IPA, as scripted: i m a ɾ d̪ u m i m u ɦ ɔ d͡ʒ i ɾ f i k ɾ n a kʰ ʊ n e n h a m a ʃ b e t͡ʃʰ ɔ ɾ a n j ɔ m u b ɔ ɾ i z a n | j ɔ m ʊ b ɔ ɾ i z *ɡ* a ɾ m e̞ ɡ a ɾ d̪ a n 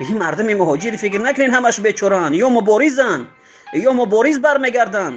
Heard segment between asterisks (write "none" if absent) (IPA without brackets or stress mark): b